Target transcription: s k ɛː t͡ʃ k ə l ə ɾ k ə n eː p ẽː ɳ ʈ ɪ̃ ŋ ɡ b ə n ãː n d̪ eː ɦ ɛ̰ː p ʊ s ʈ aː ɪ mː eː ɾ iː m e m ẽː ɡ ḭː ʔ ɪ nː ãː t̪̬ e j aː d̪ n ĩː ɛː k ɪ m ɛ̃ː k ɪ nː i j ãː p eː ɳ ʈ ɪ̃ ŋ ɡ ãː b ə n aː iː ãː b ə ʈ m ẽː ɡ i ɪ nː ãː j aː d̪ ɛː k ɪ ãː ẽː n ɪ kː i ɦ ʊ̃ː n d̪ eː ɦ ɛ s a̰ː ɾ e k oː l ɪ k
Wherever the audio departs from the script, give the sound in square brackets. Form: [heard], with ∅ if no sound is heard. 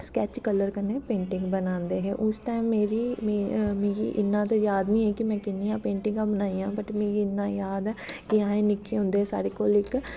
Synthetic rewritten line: s k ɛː t͡ʃ k ə l ə ɾ k ə n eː p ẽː ɳ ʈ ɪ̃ ŋ ɡ b ə n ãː n d̪ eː ɦ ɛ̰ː [ʔ] ʊ s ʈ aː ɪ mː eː ɾ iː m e m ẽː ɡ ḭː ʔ ɪ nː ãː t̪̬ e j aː d̪ n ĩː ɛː k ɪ m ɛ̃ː k ɪ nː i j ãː p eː ɳ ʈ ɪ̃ ŋ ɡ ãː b ə n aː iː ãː b ə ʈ m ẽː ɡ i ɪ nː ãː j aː d̪ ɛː k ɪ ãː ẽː n ɪ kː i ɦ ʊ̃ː n d̪ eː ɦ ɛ s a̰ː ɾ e k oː l ɪ k